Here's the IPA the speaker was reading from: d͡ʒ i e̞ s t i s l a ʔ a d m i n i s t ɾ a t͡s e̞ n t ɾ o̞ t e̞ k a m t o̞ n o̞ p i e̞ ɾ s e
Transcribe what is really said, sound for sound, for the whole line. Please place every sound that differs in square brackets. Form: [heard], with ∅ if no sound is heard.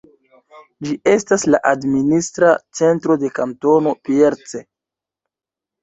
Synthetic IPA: d͡ʒ i e̞ s t [a] s l a ʔ a d m i n i s t ɾ a t͡s e̞ n t ɾ o̞ [d] e̞ k a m t o̞ n o̞ p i e̞ ɾ [t͡s] e